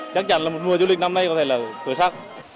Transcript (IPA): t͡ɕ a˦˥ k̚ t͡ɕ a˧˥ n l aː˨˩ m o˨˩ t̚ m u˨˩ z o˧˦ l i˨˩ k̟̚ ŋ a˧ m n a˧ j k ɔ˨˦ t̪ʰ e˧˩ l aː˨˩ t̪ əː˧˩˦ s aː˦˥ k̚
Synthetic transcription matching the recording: t͡ɕ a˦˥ k̚ t͡ɕ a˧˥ n l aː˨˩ m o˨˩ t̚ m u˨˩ z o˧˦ l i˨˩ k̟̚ n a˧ m n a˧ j k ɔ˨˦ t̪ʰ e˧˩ l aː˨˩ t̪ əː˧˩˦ s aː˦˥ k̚